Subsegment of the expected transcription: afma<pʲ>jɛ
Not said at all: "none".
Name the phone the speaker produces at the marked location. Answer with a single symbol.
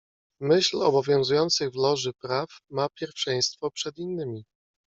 pʲ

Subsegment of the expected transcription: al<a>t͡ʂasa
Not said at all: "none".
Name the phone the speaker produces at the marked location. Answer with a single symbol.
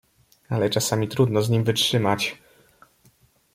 ɛ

